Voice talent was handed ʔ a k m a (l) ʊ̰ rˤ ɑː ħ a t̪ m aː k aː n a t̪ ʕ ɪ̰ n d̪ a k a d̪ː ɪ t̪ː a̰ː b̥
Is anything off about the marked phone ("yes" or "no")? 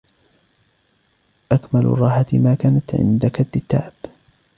no